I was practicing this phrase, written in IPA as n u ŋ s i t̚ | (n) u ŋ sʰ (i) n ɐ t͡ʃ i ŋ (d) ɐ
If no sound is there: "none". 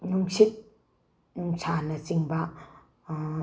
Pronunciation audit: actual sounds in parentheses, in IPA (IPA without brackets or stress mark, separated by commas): n, a, b